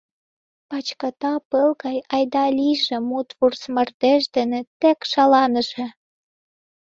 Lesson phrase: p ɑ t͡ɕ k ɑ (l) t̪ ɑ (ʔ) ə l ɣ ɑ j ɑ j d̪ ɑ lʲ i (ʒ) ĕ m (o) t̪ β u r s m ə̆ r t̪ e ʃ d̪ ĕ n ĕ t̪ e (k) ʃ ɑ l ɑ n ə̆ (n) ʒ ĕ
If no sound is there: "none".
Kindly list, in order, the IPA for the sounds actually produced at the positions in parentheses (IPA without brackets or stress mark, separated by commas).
none, p, ʒ, u, k, none